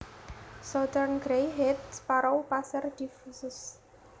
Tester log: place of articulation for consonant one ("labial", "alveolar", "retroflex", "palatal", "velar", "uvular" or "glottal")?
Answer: alveolar